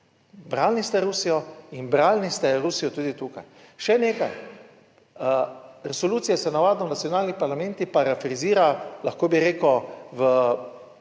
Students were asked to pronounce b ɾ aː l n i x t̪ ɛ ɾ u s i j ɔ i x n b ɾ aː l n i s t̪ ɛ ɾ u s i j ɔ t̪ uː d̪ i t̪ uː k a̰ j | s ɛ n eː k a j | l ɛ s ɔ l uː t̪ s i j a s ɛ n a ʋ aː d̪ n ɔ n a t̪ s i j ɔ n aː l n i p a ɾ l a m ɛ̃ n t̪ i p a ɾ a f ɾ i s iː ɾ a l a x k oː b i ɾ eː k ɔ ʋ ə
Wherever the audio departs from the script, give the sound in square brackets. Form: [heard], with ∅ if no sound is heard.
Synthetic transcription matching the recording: b ɾ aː l n i [s] t̪ ɛ ɾ u s i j ɔ i [∅] n b ɾ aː l n i s t̪ ɛ ɾ u s i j ɔ t̪ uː d̪ i t̪ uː k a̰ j | [ʃ] ɛ n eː k a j | [ɾ] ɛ s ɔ l uː t̪ s i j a s ɛ n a ʋ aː d̪ n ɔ n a t̪ s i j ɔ n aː l n i p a ɾ l a m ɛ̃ n t̪ i p a ɾ a f ɾ i [z] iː ɾ a l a x k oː b i ɾ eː k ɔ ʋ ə